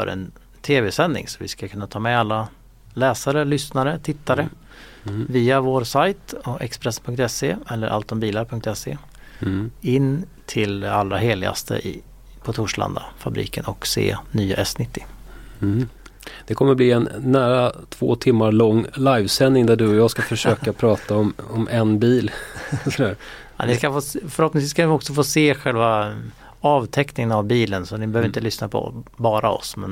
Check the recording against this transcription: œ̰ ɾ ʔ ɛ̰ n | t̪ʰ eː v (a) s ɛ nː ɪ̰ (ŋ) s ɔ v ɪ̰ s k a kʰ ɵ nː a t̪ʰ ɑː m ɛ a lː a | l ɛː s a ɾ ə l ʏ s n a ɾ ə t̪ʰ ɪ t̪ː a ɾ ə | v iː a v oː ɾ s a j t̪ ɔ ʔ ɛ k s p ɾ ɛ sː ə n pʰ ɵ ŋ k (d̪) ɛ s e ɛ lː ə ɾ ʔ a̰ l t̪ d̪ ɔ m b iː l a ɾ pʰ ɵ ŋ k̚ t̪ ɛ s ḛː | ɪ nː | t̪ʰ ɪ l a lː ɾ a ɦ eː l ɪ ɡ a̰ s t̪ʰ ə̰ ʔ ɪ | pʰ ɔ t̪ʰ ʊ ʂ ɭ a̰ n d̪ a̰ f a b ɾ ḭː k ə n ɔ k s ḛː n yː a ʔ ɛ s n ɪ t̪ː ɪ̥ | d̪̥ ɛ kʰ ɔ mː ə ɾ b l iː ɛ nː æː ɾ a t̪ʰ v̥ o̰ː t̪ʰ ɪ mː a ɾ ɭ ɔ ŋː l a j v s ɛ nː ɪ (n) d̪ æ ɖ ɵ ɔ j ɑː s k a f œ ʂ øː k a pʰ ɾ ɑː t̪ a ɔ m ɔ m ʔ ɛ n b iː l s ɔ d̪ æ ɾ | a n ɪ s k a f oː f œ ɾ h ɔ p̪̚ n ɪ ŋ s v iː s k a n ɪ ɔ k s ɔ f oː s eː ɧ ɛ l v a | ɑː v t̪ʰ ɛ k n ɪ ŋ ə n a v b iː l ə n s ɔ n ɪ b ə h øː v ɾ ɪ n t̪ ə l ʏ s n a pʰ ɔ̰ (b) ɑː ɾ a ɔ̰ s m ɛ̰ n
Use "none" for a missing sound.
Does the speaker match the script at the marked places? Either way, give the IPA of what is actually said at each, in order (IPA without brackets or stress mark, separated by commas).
ɛ, ŋ, t̪, ŋ, b